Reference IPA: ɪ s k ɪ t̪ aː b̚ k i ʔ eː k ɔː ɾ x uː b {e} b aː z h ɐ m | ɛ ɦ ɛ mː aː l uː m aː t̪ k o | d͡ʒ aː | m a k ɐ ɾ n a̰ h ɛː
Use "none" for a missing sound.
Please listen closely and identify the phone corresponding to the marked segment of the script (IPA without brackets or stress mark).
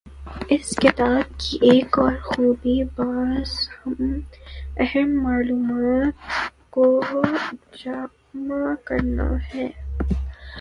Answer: i